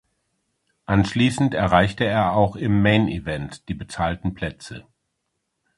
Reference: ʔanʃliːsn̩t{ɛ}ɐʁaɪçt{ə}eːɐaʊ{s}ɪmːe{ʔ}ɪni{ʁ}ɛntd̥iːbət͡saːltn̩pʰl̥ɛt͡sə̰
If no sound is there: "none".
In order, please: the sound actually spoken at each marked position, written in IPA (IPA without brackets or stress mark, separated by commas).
ɛ, ə, x, none, v